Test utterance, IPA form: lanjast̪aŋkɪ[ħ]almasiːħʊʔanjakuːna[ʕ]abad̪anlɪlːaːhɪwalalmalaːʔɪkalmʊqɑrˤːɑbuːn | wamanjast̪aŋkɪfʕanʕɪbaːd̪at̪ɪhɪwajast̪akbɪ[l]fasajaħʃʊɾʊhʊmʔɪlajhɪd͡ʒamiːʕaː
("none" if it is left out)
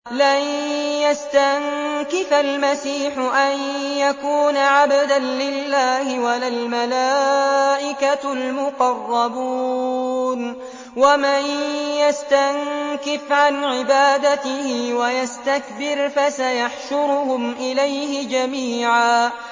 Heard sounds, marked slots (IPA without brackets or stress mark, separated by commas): f, ʕ, ɾ